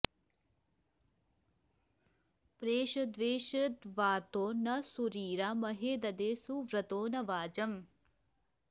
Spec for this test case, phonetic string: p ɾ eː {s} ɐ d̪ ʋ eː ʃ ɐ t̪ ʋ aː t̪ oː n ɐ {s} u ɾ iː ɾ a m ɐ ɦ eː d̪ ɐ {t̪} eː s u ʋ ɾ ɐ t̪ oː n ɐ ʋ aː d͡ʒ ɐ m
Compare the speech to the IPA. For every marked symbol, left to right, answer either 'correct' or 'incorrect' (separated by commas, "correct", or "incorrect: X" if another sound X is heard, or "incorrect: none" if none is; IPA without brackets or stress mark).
incorrect: ʃ, correct, incorrect: d̪